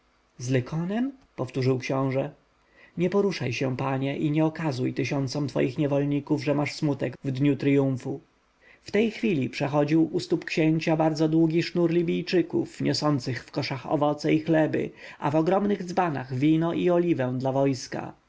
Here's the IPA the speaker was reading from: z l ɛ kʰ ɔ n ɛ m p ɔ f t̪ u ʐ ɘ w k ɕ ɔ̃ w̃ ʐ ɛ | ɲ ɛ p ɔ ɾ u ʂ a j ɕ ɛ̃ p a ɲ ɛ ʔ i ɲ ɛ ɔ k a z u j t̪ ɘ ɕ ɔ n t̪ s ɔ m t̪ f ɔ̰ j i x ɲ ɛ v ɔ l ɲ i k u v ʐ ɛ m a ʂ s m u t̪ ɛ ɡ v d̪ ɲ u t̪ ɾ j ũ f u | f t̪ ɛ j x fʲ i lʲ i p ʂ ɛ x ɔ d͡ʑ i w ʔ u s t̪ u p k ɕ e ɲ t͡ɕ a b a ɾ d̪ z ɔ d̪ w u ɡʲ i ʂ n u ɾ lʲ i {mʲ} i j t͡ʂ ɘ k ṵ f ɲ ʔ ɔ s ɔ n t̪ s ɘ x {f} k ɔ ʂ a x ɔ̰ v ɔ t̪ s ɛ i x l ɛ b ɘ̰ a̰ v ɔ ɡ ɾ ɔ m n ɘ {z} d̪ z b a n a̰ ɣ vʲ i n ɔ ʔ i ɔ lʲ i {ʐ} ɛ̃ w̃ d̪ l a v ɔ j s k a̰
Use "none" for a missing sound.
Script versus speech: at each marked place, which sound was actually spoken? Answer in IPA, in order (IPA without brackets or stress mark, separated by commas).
bʲ, f, ɣ, v